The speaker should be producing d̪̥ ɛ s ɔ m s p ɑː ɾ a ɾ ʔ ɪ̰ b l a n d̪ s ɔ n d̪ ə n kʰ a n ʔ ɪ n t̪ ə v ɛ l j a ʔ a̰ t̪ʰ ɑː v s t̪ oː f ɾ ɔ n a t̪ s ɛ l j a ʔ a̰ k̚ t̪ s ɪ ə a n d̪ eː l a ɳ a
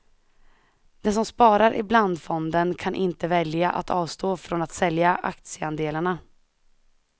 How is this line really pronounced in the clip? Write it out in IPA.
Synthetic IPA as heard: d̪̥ ɛ s ɔ m s p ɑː ɾ a ɾ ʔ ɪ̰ b l a n d̪ f ɔ n d̪ ə n kʰ a n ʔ ɪ n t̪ ə v ɛ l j a ʔ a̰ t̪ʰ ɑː v s t̪ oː f ɾ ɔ n a t̪ s ɛ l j a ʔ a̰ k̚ t̪ s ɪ ə a n d̪ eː l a ɳ a